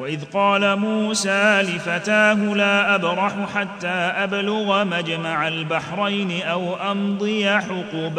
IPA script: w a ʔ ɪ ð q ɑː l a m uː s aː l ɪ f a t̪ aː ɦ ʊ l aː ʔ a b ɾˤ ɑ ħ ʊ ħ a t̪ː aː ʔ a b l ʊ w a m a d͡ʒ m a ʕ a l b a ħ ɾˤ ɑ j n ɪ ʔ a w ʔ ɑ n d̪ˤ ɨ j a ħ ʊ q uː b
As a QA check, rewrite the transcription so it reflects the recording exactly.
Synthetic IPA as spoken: w a ʔ ɪ ð q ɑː l a m uː s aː l ɪ f a t̪ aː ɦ ʊ l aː ʔ a b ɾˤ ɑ ħ ʊ ħ a t̪ː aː ʔ a b l ʊ ɣ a m a d͡ʒ m a ʕ a l b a ħ ɾˤ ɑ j n ɪ ʔ a w ʔ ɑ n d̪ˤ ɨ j a ħ ʊ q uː b